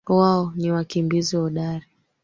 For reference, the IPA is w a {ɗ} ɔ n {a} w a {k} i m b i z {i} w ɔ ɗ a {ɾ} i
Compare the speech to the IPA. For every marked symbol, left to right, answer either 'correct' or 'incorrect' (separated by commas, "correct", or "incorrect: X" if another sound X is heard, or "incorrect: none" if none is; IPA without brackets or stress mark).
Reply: incorrect: none, incorrect: i, correct, correct, correct